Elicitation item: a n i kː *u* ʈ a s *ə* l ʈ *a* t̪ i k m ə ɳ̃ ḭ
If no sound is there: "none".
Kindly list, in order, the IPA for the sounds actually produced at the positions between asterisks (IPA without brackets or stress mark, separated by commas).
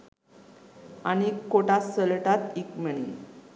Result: o, ə, a